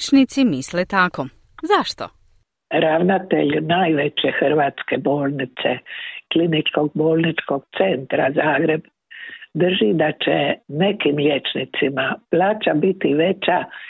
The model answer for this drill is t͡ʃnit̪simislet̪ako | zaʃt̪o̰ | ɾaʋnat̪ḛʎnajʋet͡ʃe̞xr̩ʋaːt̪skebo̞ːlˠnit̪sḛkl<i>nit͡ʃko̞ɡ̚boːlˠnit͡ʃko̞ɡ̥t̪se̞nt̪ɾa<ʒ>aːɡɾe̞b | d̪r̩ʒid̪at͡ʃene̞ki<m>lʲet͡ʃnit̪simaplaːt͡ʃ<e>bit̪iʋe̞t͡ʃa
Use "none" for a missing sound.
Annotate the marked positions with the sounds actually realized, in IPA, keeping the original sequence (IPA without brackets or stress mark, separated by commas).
i, z, m, a